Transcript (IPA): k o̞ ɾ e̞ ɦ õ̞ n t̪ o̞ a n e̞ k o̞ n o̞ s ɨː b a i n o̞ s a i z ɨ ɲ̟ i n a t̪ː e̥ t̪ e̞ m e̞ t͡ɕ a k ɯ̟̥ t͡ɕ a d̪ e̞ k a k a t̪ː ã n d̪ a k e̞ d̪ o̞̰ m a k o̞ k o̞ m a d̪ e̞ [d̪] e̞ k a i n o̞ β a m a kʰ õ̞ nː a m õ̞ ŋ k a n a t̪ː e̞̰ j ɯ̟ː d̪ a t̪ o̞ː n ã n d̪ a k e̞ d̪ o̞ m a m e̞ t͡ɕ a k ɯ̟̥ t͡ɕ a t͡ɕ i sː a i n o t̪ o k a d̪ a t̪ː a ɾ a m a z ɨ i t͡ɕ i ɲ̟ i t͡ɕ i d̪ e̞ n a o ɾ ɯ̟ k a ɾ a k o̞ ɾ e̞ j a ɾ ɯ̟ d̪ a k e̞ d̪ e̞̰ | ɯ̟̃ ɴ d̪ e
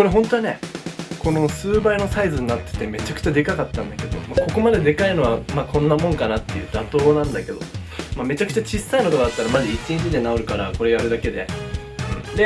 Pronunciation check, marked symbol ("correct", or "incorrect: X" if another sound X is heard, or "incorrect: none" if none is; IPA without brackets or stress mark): correct